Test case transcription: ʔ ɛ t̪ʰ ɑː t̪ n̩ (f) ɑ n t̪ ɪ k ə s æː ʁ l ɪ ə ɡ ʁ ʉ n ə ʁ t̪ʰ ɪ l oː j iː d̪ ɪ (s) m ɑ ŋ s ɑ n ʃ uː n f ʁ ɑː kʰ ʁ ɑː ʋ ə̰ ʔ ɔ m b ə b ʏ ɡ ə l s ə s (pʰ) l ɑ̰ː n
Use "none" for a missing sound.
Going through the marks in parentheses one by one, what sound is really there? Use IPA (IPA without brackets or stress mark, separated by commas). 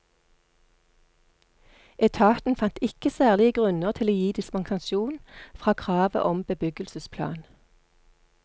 f, s, pʰ